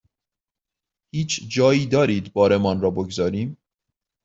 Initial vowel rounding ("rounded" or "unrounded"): unrounded